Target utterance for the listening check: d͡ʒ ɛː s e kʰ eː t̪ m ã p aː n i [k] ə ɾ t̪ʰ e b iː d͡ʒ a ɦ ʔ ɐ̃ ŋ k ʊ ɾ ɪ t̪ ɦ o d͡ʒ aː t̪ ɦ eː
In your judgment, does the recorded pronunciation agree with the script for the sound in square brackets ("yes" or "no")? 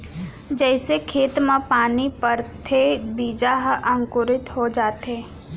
no